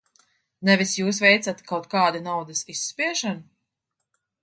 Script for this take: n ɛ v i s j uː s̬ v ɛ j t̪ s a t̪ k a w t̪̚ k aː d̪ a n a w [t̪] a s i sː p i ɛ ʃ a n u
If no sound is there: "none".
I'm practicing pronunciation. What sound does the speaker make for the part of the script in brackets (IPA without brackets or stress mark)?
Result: d̪